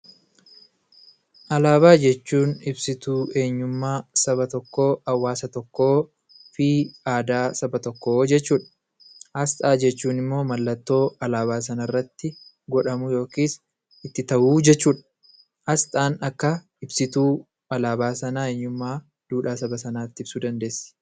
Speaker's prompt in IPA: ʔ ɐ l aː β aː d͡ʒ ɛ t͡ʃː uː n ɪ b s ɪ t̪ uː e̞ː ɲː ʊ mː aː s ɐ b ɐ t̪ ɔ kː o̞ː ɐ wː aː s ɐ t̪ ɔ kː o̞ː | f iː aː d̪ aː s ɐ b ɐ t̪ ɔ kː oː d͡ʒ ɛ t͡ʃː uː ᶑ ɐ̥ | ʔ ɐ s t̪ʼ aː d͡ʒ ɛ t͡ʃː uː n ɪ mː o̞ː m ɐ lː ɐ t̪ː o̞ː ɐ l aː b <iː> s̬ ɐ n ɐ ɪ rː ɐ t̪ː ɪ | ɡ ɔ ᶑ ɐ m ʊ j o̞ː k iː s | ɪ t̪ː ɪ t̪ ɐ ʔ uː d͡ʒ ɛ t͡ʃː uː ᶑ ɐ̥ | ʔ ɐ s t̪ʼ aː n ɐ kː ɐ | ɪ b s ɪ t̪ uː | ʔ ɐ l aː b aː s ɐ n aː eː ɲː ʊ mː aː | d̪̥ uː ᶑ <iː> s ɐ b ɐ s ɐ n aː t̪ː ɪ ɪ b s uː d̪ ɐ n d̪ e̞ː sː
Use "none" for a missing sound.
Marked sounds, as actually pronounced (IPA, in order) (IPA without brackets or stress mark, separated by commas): aː, aː